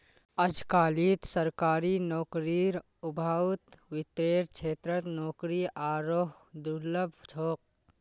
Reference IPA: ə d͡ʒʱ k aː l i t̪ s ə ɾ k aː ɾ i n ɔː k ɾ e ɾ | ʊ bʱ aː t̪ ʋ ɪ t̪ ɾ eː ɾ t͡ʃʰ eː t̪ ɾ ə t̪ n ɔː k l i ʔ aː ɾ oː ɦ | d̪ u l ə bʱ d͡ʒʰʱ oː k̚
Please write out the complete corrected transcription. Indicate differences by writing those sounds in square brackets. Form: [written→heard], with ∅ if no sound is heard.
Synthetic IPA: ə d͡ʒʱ k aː l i t̪ s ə ɾ k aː ɾ i n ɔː k ɾ [e→i] ɾ | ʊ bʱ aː t̪ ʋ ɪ t̪ ɾ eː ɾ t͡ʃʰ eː t̪ ɾ ə t̪ n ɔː k [l→ɾ] i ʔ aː ɾ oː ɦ | d̪ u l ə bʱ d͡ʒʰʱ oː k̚